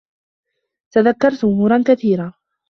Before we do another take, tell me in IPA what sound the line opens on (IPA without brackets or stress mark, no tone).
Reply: t̪